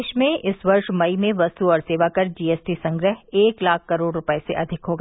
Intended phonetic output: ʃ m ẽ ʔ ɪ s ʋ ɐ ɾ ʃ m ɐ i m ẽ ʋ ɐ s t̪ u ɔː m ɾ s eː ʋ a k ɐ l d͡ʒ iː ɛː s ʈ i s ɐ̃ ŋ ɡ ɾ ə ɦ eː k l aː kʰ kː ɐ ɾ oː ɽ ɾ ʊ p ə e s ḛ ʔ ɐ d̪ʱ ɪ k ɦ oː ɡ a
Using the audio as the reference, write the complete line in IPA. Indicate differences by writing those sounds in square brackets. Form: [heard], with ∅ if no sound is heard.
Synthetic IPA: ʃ m ẽ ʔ ɪ s ʋ ɐ ɾ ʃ m ɐ i m ẽ ʋ ɐ s t̪ u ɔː [∅] ɾ s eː ʋ a k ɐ [ɾ] d͡ʒ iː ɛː s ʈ i s ɐ̃ ŋ ɡ ɾ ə ɦ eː k l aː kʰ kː ɐ ɾ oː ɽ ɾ ʊ p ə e s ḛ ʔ ɐ d̪ʱ ɪ k ɦ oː ɡ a